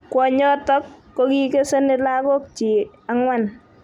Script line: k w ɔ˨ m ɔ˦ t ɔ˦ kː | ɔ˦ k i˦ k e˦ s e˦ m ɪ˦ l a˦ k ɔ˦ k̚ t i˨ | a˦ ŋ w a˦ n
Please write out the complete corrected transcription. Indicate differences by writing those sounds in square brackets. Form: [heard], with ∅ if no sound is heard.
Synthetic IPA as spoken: k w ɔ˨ [ɲ] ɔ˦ t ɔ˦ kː | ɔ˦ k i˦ k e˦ s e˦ [n] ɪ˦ l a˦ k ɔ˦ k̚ [t͡ʃ] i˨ | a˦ ŋ w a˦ n